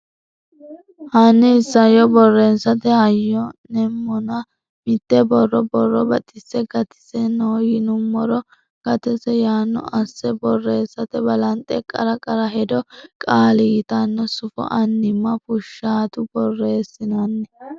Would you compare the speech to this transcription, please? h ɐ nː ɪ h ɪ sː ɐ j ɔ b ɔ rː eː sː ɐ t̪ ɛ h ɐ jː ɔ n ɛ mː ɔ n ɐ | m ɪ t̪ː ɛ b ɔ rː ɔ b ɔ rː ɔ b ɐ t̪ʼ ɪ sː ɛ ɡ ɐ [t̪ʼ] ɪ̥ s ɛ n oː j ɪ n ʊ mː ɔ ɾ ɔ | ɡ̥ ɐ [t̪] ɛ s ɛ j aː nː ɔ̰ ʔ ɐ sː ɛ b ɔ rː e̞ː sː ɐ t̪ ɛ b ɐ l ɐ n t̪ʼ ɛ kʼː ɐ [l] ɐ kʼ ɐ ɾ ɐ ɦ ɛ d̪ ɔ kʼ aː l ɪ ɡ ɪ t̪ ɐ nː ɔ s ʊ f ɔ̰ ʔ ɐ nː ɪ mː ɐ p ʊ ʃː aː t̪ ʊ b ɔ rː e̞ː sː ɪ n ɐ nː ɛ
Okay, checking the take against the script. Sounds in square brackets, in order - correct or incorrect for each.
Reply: incorrect: t̪, correct, incorrect: ɾ

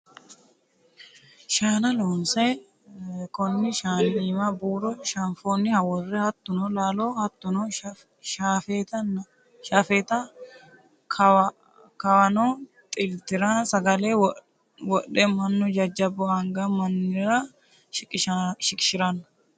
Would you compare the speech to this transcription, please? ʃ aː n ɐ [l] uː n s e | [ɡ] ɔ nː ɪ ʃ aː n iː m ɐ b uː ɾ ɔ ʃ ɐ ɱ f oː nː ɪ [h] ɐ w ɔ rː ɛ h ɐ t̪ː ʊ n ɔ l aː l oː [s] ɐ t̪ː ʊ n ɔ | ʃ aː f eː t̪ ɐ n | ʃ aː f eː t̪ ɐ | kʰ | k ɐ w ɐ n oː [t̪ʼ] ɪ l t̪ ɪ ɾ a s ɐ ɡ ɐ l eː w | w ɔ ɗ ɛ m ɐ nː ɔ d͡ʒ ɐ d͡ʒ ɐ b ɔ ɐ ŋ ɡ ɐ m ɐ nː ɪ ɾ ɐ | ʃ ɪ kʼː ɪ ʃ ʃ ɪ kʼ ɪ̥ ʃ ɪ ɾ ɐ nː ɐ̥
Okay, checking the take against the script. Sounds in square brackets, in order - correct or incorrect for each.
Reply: correct, incorrect: k, correct, incorrect: h, correct

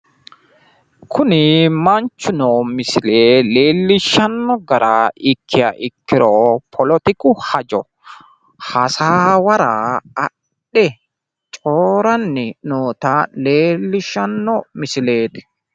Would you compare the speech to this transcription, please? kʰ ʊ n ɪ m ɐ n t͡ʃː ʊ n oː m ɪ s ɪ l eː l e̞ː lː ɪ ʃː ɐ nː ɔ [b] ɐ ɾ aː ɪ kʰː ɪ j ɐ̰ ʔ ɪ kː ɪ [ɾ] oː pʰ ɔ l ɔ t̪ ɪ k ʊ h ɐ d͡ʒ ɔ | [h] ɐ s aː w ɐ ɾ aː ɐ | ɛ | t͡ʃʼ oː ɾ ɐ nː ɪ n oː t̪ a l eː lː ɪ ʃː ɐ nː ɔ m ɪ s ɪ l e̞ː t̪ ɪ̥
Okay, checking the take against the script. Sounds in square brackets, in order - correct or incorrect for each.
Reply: incorrect: ɡ, correct, correct

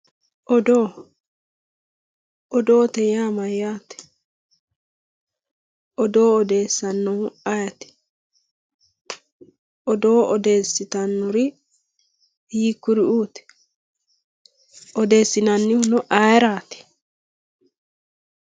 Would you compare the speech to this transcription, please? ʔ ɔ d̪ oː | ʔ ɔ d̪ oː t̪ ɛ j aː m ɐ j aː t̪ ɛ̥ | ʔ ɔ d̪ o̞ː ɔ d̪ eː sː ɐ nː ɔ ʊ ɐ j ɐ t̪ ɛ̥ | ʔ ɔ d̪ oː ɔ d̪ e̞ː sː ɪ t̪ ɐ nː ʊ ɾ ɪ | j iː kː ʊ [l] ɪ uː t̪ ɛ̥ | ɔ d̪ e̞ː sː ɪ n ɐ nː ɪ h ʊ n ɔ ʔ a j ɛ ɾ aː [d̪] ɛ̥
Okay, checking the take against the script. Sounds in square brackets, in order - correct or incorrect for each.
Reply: incorrect: ɾ, incorrect: t̪

